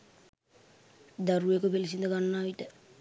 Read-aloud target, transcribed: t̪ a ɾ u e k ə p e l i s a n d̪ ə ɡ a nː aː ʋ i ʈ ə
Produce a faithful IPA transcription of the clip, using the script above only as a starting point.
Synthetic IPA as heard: d̪ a ɾ u e k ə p e l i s i n d̪ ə ɡ a nː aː ʋ i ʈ ə